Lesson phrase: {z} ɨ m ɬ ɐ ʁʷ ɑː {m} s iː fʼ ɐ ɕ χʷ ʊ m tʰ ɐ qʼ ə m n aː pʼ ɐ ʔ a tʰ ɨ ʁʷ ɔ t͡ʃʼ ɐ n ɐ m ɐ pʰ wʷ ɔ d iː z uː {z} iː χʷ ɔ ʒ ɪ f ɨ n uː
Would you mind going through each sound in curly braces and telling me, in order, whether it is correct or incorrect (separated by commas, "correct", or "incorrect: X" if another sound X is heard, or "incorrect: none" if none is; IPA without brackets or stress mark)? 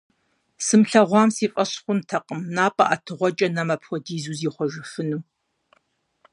incorrect: s, correct, correct